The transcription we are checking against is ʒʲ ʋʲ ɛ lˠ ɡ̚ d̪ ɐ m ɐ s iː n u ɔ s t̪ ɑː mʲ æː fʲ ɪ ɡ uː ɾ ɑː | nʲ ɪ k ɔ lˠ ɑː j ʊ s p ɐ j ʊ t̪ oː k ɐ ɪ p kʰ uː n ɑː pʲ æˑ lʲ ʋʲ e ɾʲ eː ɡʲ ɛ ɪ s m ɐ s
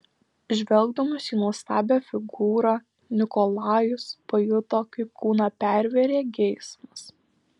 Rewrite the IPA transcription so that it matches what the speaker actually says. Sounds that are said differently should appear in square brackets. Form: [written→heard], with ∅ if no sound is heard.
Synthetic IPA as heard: ʒʲ ʋʲ ɛ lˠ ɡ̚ d̪ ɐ m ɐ s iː n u ɔ s t̪ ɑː [mʲ→bʲ] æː fʲ ɪ ɡ uː ɾ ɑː | nʲ ɪ k ɔ lˠ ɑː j ʊ s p ɐ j ʊ t̪ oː k ɐ ɪ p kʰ uː n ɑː pʲ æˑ [lʲ→ɾʲ] ʋʲ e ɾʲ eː ɡʲ ɛ ɪ s m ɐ s

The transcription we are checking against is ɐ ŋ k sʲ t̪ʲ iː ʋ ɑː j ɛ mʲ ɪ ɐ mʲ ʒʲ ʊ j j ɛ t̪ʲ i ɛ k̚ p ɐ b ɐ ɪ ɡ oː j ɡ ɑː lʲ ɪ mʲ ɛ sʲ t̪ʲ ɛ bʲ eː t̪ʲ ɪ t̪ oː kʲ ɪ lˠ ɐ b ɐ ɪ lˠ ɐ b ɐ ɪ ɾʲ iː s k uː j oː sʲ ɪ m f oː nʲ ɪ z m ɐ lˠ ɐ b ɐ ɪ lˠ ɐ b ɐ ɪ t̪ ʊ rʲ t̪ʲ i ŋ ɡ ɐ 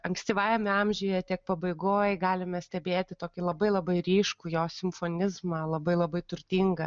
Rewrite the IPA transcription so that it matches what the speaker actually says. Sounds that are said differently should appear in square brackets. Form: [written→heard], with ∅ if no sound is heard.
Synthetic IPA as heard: ɐ ŋ k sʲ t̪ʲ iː ʋ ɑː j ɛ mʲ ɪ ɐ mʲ ʒʲ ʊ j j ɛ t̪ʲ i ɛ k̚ p ɐ b ɐ ɪ ɡ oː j ɡ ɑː lʲ ɪ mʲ ɛ sʲ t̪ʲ ɛ bʲ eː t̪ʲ ɪ t̪ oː kʲ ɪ lˠ ɐ b ɐ ɪ lˠ ɐ b ɐ ɪ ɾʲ iː [s→ʃ] k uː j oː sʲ ɪ m f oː nʲ ɪ z m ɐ lˠ ɐ b ɐ ɪ lˠ ɐ b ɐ ɪ t̪ ʊ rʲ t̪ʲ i ŋ ɡ ɐ

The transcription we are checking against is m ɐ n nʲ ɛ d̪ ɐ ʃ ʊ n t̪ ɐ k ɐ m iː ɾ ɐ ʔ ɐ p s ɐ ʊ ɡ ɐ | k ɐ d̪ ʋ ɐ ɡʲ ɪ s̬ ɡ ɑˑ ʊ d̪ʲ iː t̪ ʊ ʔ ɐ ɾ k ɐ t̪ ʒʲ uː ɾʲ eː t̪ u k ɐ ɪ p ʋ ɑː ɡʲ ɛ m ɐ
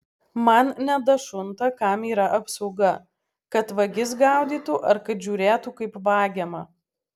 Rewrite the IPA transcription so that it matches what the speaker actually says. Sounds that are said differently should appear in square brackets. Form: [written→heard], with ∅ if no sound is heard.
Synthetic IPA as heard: m ɐ n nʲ ɛ d̪ ɐ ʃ ʊ n t̪ ɐ k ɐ m iː ɾ ɐ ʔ ɐ p s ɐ ʊ ɡ ɐ | k ɐ [d̪→t̪] ʋ ɐ ɡʲ ɪ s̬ ɡ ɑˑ ʊ d̪ʲ iː t̪ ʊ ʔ ɐ ɾ k ɐ t̪ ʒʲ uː ɾʲ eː t̪ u k ɐ ɪ p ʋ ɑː ɡʲ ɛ m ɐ

